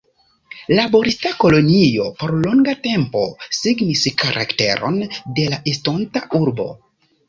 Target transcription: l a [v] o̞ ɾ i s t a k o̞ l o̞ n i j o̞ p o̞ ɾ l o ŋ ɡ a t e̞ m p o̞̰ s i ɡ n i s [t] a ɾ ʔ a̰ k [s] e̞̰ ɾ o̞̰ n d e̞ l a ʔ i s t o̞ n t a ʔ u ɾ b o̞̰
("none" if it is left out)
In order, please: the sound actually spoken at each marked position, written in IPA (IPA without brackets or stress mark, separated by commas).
b, k, t